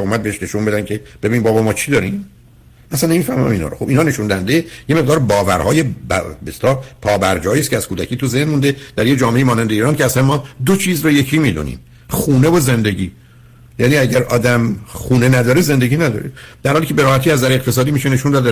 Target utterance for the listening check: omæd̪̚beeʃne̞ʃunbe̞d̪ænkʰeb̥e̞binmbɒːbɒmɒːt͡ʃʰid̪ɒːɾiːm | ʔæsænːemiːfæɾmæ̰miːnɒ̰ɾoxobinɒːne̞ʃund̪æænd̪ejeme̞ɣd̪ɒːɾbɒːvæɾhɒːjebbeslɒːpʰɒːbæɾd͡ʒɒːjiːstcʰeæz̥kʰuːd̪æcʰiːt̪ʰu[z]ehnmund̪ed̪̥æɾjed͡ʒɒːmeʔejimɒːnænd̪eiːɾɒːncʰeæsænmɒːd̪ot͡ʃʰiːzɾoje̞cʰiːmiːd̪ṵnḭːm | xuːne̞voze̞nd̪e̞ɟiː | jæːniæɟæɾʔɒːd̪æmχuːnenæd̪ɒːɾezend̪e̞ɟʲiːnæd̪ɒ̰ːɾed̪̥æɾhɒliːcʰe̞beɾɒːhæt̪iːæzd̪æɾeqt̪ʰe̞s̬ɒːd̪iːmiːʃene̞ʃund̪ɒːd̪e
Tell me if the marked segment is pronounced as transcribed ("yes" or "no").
yes